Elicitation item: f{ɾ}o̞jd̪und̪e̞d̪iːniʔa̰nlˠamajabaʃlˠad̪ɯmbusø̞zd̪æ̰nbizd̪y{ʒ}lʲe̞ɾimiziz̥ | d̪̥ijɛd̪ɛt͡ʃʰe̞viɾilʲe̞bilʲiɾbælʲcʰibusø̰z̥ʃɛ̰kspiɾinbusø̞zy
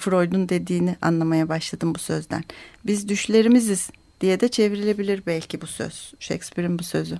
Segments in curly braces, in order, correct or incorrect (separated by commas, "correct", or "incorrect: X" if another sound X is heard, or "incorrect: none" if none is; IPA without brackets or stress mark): correct, incorrect: ʃ